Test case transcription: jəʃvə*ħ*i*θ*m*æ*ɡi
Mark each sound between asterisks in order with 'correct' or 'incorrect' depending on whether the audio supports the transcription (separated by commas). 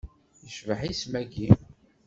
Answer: correct, incorrect, correct